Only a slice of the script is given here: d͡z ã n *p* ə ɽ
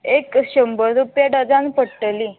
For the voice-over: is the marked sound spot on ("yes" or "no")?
yes